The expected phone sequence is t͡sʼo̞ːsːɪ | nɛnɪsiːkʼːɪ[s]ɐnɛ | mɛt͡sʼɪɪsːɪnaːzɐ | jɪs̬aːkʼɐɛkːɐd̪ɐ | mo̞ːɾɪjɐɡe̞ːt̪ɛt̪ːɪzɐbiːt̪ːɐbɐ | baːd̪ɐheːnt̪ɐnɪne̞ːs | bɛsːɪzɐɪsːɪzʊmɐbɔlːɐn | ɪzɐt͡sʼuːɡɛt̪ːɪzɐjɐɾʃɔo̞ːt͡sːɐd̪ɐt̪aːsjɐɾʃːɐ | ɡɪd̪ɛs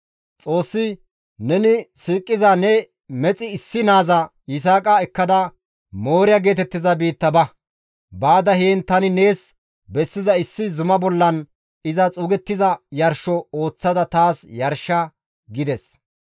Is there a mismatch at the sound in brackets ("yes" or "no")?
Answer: yes